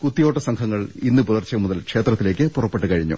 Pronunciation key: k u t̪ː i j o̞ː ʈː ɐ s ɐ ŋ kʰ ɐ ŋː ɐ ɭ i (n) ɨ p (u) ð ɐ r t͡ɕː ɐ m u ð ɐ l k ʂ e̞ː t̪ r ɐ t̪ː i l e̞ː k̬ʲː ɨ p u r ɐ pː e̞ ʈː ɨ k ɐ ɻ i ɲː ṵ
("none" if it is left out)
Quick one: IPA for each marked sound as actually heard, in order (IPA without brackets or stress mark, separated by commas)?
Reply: nː, u